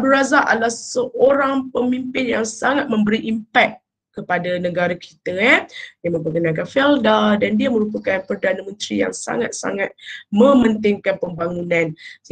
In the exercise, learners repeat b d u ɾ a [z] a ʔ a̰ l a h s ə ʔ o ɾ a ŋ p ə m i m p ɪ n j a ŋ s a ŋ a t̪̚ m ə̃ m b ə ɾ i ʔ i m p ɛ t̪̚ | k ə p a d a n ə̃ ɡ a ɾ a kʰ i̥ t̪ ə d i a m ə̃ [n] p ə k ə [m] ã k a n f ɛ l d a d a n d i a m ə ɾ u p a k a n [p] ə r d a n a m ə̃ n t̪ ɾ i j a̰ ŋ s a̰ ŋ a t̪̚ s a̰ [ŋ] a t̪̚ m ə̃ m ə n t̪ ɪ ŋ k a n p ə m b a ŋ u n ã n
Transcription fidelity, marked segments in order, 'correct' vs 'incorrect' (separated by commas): correct, incorrect, incorrect, correct, correct